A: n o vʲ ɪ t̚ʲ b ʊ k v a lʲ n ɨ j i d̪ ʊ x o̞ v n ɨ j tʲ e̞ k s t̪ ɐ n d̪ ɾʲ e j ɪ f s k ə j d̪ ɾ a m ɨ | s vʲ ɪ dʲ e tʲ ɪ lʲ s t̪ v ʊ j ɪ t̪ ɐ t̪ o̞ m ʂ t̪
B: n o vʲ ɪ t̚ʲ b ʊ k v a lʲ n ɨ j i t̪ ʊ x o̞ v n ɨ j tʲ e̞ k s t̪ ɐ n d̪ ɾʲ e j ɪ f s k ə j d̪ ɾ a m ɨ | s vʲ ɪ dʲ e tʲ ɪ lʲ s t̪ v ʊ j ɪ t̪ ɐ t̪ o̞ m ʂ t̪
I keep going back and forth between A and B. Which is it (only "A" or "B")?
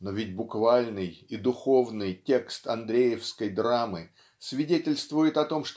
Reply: A